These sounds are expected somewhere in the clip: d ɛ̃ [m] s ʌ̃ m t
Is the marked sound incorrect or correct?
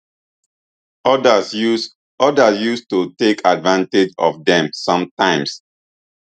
correct